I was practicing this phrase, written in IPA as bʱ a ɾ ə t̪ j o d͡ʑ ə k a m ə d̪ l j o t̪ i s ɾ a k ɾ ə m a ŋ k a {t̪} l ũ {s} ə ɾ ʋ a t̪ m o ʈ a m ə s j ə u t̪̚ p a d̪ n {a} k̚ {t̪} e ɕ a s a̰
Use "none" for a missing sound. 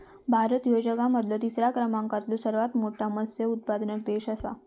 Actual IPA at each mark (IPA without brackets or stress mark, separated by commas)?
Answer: t̪, s, ə, d̪